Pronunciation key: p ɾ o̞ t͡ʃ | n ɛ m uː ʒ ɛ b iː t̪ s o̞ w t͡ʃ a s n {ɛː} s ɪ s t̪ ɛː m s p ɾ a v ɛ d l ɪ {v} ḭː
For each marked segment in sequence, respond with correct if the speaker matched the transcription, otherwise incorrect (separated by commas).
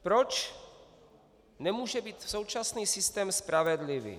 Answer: incorrect, correct